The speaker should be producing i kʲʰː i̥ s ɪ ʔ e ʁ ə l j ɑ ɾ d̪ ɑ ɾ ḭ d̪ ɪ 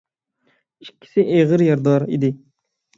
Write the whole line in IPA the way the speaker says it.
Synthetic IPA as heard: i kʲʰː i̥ s ɪ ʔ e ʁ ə ɾ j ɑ ɾ d̪ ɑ ɾ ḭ d̪ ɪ